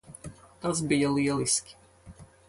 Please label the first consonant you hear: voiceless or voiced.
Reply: voiceless